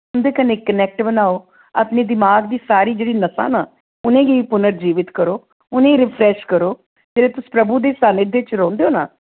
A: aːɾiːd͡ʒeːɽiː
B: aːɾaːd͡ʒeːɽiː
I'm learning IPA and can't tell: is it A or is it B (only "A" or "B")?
A